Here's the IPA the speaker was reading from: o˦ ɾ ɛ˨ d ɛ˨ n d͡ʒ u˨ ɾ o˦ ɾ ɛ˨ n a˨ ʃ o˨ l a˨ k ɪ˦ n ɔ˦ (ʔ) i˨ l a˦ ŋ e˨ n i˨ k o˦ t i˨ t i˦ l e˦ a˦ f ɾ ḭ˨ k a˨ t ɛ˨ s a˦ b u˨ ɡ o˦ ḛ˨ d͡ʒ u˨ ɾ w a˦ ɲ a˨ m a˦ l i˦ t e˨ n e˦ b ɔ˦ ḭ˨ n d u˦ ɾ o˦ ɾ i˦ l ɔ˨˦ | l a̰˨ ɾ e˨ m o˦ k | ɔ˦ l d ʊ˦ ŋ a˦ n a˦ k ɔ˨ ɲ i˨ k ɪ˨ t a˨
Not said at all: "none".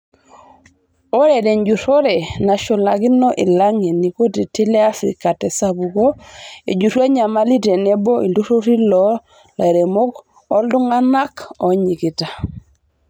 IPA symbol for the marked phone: ʔ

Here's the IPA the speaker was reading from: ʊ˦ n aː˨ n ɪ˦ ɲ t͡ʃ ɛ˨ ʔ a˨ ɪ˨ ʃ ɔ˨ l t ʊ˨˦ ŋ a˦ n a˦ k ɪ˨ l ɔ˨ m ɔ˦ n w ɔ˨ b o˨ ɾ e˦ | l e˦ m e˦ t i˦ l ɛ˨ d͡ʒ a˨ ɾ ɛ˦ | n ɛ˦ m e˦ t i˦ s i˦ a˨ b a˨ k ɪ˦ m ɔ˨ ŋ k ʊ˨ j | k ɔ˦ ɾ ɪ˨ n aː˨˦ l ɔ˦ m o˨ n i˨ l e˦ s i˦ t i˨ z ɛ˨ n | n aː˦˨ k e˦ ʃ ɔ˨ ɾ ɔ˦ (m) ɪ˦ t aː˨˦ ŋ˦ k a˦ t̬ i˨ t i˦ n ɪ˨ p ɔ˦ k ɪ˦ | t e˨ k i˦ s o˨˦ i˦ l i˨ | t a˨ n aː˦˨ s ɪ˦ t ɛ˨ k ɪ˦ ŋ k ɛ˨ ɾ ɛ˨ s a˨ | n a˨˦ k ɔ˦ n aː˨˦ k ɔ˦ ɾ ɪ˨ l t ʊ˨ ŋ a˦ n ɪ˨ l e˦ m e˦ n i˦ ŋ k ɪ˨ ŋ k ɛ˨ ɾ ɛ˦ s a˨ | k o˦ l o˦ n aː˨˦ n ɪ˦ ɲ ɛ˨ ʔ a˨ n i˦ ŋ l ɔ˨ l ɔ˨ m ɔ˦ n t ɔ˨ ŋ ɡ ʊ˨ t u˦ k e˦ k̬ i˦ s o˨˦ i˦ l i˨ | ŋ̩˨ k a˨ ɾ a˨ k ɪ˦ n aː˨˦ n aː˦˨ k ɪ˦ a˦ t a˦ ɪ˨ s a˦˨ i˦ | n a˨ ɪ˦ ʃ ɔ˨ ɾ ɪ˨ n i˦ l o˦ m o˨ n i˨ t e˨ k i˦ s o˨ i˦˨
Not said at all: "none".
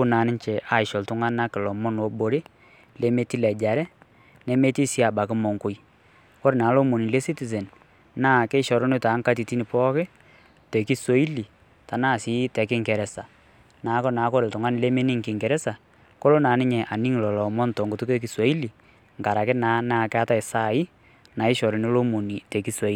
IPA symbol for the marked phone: n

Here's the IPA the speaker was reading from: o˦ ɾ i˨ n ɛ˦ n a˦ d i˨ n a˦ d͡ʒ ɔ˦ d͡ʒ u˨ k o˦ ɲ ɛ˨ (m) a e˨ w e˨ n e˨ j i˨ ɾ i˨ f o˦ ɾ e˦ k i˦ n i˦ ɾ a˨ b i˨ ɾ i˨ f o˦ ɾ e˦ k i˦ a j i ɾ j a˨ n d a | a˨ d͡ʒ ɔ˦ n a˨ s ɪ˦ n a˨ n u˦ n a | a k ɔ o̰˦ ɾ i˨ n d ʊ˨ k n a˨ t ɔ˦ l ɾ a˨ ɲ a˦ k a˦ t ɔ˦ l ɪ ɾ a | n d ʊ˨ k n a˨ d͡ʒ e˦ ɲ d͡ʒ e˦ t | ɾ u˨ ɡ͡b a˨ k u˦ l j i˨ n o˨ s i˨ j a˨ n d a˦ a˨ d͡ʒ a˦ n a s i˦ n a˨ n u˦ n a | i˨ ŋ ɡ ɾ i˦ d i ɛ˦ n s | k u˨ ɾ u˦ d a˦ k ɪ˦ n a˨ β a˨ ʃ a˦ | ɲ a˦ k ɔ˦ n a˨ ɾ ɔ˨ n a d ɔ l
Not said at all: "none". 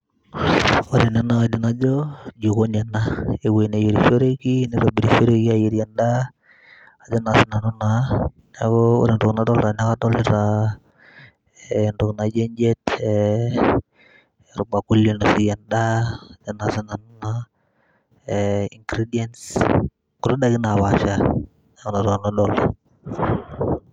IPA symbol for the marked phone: n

